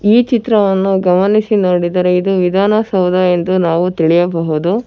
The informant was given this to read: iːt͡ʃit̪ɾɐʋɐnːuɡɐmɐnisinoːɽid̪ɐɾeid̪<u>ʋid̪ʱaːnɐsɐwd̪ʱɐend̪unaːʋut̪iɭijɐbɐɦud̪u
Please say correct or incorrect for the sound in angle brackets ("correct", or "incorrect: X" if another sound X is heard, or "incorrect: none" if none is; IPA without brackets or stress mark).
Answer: correct